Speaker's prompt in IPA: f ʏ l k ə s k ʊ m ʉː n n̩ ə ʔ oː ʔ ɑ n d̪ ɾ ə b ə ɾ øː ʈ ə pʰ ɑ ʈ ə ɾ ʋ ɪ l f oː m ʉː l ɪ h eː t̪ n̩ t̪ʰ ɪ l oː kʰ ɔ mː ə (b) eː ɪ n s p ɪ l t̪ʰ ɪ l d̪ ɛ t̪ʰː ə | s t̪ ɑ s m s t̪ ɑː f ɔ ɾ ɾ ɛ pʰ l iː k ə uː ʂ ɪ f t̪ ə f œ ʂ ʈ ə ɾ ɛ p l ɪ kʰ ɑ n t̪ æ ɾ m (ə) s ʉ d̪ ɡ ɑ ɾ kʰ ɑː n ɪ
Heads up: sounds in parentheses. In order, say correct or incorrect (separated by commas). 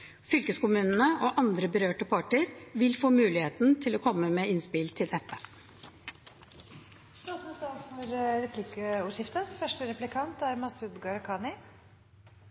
incorrect, incorrect